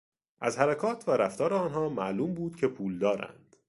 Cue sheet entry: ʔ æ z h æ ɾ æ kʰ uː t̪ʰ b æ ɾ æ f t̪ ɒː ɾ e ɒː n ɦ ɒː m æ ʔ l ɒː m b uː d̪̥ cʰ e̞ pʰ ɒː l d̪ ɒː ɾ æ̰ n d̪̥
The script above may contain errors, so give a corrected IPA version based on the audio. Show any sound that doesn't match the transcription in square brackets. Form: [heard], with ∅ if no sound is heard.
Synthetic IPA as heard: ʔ æ z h æ ɾ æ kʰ [ɒː] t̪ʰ [v] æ ɾ æ f t̪ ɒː ɾ e ɒː n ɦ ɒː m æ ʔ l [uː] m b uː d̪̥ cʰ e̞ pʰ [uː] l d̪ ɒː ɾ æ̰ n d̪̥